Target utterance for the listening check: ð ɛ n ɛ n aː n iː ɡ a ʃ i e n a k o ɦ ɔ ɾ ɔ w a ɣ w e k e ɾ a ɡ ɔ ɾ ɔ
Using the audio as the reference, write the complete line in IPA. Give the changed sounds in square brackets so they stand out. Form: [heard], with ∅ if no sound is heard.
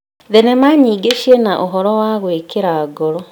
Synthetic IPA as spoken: ð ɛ n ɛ [m] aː [ɲ] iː ɡ [e] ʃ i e n a [ʔ] o ɦ ɔ ɾ ɔ w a ɣ w e k e ɾ a ɡ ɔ ɾ ɔ